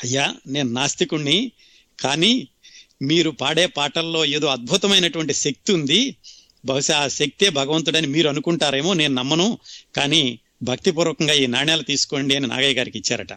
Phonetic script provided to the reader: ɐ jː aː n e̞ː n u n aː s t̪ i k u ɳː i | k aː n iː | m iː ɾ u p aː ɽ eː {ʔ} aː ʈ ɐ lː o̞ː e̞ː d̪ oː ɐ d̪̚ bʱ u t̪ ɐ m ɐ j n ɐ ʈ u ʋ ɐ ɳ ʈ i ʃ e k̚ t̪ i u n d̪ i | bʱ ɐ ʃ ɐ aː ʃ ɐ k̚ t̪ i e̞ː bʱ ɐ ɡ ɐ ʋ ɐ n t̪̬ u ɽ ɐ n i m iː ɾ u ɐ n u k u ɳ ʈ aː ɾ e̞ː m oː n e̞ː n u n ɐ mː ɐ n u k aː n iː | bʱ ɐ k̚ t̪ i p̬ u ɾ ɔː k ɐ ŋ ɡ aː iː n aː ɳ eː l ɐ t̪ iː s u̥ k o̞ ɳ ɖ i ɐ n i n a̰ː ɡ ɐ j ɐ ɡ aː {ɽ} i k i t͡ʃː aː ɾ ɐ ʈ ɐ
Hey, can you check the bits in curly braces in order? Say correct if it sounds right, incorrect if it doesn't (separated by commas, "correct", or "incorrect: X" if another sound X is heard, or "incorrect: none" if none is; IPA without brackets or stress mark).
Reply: incorrect: p, incorrect: ɾ